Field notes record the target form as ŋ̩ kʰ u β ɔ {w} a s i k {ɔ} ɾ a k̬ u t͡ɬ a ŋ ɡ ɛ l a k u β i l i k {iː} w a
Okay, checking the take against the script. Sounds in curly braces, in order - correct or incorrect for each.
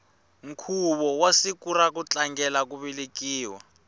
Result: correct, incorrect: u, correct

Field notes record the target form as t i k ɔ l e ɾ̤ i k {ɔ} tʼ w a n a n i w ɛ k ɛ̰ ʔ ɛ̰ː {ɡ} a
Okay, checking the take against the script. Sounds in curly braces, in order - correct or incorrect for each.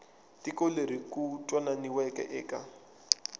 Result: incorrect: u, incorrect: k

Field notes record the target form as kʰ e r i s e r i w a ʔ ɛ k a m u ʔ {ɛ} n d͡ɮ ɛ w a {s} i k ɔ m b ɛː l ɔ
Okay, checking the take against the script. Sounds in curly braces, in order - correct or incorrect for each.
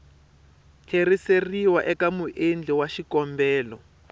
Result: incorrect: e, incorrect: ʃ

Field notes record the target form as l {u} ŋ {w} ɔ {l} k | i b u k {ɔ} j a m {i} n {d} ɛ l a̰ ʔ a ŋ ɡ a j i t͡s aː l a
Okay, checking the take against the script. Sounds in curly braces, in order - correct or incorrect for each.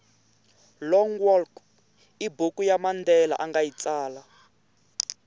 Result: incorrect: ɔ, correct, correct, incorrect: u, incorrect: a, correct

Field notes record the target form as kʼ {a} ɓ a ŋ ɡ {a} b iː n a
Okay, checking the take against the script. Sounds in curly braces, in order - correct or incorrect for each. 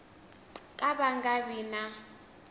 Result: correct, correct

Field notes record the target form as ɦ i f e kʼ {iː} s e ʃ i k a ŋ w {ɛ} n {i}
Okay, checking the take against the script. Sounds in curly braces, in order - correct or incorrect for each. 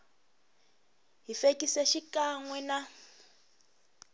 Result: incorrect: i, correct, incorrect: a

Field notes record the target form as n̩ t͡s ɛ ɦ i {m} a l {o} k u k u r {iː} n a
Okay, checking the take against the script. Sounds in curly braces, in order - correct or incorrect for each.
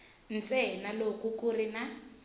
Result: incorrect: n, correct, incorrect: i

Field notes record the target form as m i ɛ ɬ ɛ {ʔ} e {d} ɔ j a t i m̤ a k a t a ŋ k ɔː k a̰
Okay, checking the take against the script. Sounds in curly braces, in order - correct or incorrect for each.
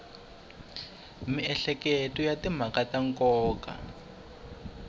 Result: incorrect: k, incorrect: t

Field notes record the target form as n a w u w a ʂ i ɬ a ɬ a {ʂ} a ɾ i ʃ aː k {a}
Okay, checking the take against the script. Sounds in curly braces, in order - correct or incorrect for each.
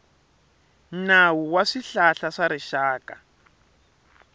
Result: correct, correct

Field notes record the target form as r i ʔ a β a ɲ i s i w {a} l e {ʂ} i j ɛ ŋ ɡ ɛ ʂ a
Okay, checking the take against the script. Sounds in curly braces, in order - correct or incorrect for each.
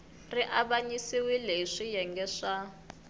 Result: incorrect: i, correct

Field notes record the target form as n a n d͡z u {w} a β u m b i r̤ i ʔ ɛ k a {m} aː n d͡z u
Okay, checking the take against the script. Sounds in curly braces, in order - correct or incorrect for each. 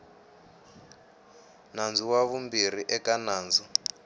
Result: correct, incorrect: n

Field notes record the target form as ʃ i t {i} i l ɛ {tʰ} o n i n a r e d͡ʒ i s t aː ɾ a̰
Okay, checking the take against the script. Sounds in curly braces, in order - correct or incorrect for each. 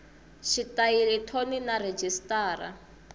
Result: incorrect: a, correct

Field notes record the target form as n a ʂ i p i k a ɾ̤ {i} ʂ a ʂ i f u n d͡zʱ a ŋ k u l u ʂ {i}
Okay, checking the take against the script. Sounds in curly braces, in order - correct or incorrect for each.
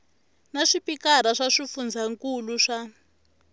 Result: incorrect: a, incorrect: a

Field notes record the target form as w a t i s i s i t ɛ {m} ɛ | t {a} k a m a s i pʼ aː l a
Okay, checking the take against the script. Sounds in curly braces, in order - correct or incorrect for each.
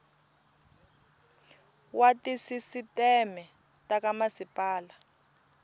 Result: correct, correct

